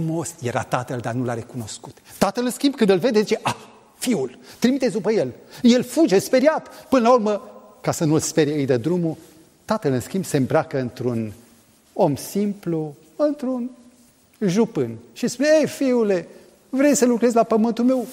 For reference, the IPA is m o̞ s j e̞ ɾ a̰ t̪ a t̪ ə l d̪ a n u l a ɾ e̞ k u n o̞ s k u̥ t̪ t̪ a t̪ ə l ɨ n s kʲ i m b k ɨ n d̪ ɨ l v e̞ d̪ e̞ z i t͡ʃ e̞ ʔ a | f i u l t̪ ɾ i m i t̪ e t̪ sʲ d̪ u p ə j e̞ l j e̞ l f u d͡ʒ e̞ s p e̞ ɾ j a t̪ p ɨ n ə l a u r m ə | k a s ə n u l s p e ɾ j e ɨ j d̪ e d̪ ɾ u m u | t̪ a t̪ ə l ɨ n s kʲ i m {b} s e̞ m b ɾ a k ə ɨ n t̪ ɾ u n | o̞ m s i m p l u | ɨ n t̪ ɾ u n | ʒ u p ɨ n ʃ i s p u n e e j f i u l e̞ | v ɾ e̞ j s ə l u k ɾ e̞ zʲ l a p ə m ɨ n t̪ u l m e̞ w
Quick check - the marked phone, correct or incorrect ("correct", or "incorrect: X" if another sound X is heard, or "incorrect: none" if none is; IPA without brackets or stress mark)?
correct